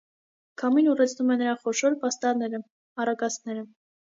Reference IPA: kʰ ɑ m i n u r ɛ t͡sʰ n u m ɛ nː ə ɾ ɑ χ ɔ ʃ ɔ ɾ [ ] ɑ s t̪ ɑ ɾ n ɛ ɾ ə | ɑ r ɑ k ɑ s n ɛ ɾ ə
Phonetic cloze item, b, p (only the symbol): p